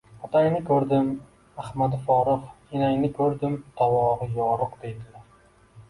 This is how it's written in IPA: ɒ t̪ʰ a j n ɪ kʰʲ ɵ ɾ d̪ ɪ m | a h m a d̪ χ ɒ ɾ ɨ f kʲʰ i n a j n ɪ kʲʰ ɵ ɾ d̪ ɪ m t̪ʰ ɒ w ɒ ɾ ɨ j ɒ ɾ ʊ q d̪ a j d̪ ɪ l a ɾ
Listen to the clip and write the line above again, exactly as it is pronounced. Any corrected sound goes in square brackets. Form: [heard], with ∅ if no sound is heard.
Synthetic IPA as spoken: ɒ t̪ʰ a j n ɪ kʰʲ ɵ ɾ d̪ ɪ m | a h m a d̪ [f] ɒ ɾ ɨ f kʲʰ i n a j n ɪ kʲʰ ɵ ɾ d̪ ɪ m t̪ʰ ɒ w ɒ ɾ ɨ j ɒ ɾ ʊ q d̪ [e] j d̪ ɪ l a ɾ